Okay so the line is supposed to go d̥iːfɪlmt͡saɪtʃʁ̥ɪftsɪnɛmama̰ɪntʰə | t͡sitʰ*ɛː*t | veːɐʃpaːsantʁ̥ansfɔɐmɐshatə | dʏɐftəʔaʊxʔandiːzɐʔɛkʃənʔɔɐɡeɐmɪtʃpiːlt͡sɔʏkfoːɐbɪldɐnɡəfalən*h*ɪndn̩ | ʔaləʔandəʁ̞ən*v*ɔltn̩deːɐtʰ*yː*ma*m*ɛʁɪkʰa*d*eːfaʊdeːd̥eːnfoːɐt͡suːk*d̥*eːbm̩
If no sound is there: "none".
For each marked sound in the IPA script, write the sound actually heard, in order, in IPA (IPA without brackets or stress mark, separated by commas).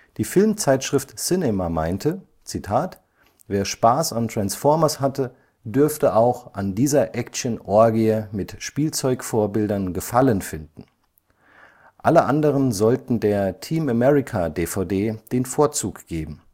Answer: aː, f, z, iː, m, d, ɡ̥